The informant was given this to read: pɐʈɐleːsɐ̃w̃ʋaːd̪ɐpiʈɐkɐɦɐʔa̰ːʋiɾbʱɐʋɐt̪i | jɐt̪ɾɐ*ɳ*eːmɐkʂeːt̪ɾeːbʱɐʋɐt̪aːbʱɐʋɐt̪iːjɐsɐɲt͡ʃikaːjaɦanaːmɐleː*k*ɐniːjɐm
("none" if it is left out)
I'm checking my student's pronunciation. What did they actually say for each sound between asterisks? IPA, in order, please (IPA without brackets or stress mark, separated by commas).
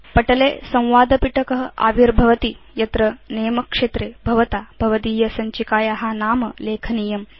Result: n, kʰ